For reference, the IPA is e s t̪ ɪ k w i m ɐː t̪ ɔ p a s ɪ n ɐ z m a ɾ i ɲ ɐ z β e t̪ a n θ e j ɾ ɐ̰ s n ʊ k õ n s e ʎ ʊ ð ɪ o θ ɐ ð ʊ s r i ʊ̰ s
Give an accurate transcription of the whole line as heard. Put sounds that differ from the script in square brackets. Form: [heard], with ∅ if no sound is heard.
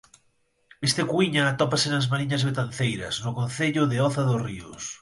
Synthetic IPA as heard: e s t̪ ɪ k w i [ɲ] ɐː t̪ ɔ p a s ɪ n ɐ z m a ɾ i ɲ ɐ z β e t̪ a n θ e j ɾ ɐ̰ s n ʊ k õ n [θ] e ʎ ʊ ð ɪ [ɔ] θ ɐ ð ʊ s r i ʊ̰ s